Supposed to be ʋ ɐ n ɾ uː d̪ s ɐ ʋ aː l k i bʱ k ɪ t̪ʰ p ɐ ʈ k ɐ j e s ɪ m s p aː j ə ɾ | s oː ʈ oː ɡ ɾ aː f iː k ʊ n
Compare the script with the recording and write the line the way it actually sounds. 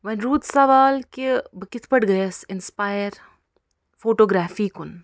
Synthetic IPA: ʋ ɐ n ɾ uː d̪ s ɐ ʋ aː l k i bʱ k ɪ t̪ʰ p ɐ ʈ ɡ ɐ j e s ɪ n s p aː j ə ɾ | f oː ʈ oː ɡ ɾ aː f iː k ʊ n